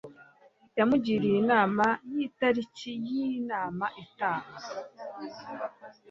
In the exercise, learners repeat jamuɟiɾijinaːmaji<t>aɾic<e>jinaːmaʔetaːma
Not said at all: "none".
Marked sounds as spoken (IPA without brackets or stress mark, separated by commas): t, i